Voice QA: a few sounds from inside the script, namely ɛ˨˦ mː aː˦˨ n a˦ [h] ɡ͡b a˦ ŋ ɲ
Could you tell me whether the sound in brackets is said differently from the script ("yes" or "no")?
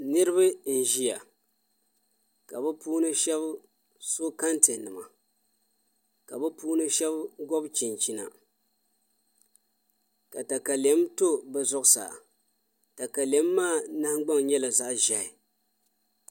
no